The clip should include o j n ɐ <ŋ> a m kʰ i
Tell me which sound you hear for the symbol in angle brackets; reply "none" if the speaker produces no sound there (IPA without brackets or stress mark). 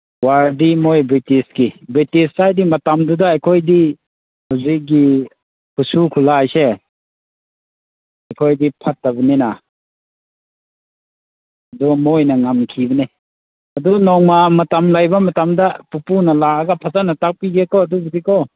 ŋ